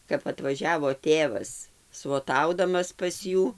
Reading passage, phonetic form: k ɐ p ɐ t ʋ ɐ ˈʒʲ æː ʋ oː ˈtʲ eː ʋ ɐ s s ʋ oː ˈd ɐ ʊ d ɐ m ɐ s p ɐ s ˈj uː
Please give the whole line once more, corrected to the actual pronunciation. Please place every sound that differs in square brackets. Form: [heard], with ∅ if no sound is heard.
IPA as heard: k ɐ p ɐ t ʋ ɐ ˈʒʲ æː ʋ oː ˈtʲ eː ʋ ɐ s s ʋ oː [ˈt] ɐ ʊ d ɐ m ɐ s p ɐ s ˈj uː